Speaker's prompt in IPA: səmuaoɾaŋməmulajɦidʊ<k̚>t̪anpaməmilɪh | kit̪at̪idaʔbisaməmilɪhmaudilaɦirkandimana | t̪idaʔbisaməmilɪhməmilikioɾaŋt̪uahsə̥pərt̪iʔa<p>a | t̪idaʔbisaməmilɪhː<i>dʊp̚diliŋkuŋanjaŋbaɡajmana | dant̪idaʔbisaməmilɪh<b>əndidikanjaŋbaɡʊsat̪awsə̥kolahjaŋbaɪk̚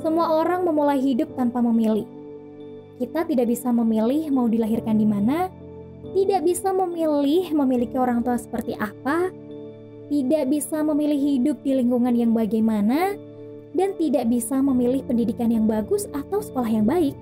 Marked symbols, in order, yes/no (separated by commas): no, yes, yes, no